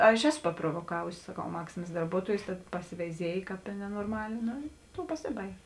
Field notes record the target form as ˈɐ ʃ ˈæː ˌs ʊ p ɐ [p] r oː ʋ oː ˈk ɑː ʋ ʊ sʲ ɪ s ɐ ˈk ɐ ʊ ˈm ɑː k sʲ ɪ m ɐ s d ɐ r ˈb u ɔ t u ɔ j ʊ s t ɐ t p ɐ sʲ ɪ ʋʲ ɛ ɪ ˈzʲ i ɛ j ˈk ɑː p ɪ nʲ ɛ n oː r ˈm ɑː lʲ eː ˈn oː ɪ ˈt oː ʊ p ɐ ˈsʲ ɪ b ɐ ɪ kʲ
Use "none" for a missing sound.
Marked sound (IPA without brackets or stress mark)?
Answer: p